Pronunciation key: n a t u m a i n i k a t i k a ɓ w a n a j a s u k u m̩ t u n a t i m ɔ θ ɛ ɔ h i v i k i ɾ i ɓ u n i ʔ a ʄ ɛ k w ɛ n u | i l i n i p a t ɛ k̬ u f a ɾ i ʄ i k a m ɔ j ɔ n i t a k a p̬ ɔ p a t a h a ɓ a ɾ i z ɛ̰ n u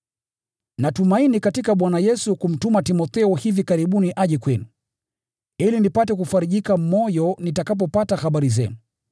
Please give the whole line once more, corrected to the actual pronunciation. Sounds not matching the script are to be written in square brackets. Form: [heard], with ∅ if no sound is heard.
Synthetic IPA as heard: n a t u m a i n i k a t i k a ɓ w a n a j [ɛ] s u k u m̩ t u [m] a t i m ɔ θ ɛ ɔ h i v i k [a] ɾ i ɓ u n i ʔ a ʄ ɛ k w ɛ n u | i l i n i p a t ɛ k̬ u f a ɾ i ʄ i k a m ɔ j ɔ n i t a k a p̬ ɔ p a t a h a ɓ a ɾ i z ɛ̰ n u